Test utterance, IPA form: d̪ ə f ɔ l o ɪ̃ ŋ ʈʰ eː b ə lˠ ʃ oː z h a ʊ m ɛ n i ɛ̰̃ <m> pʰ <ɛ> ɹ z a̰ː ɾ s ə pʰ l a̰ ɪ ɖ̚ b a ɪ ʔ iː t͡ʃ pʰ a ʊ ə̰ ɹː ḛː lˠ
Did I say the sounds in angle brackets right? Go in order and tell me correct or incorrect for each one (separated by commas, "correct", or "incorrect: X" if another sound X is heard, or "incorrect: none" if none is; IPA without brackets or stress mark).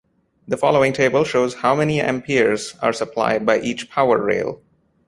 correct, incorrect: i